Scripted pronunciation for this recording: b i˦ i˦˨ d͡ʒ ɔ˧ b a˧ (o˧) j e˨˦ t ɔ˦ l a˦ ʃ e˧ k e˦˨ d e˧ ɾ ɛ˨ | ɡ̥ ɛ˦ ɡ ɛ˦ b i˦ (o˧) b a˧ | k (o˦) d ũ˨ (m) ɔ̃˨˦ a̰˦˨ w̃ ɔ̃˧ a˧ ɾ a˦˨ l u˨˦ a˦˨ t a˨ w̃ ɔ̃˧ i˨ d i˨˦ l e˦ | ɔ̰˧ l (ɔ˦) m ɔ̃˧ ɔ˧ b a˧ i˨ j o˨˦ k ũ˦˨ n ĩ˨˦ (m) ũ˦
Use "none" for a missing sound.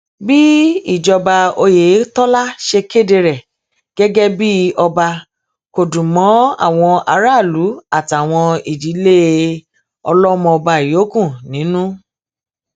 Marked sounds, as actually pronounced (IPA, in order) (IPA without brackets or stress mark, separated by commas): o˧, ɔ˧, o˨, m, ɔ˦, n